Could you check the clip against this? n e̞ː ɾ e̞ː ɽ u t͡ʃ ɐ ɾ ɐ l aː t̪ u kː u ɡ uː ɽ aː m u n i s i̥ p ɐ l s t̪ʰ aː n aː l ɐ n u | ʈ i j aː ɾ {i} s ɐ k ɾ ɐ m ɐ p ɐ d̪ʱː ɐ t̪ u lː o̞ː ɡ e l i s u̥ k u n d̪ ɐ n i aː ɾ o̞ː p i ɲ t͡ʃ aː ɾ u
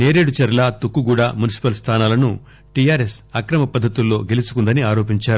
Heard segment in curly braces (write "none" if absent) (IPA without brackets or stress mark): e